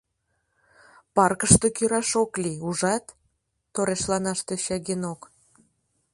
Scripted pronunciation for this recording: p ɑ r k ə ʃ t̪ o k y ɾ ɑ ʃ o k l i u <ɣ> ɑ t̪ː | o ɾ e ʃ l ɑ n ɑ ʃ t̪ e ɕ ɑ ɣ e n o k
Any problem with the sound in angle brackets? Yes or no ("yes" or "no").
yes